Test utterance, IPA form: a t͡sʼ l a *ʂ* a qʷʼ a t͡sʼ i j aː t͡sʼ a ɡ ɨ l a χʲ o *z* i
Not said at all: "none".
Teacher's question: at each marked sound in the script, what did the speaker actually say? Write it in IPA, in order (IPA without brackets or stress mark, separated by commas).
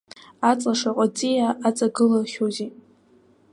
ʂ, z